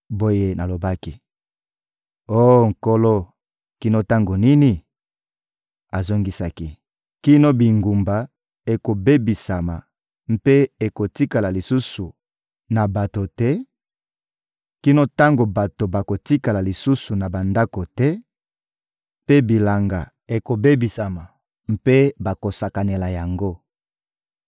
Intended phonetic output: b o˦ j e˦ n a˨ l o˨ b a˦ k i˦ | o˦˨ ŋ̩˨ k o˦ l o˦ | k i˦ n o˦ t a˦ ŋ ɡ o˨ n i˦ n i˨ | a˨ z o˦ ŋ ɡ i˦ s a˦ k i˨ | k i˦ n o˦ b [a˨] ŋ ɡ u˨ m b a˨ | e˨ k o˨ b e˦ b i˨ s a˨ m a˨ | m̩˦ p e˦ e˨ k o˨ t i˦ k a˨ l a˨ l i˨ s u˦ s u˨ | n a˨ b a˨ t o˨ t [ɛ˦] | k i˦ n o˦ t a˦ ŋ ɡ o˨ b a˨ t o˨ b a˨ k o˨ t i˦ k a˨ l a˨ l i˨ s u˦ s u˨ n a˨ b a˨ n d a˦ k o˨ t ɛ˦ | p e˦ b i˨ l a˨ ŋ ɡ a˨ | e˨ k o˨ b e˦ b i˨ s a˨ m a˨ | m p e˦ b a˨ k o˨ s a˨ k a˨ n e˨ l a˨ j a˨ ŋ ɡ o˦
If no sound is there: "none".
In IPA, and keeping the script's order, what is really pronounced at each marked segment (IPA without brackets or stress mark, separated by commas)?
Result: i˨, ɛ˦